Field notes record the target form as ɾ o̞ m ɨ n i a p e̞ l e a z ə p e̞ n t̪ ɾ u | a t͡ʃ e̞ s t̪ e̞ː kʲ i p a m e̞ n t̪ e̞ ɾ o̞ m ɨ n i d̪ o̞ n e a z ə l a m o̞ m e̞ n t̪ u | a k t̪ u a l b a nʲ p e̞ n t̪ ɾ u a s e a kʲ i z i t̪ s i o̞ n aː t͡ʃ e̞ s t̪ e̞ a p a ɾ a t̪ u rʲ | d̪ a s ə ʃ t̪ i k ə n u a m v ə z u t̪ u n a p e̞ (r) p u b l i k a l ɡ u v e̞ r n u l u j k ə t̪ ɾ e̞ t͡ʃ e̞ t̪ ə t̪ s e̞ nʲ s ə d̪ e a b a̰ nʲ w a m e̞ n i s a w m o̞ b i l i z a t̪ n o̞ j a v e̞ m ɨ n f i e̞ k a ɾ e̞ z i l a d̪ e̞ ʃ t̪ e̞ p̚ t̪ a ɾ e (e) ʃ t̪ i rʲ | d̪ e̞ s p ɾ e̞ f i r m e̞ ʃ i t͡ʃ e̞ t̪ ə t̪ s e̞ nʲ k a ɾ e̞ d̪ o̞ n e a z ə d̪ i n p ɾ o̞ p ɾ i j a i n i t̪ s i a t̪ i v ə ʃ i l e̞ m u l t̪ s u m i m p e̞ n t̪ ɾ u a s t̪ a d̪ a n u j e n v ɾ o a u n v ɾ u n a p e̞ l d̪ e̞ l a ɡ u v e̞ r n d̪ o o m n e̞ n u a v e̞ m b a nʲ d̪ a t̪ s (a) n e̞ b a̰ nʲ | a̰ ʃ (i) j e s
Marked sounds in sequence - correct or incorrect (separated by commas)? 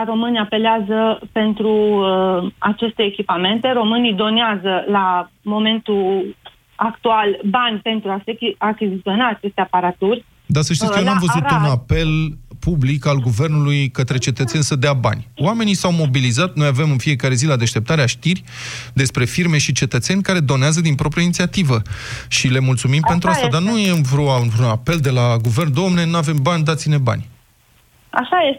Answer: incorrect, incorrect, incorrect, incorrect